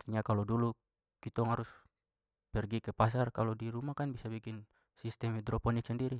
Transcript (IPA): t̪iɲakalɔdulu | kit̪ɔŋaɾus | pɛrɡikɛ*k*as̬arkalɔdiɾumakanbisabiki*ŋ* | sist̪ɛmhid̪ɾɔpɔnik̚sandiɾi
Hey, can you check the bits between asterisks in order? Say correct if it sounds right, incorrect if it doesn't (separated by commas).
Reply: incorrect, incorrect